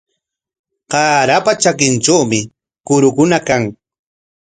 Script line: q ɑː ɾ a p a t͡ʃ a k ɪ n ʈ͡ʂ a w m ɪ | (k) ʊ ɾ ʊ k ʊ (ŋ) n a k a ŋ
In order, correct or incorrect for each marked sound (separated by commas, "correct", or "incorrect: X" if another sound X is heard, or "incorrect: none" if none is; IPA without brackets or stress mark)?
correct, incorrect: none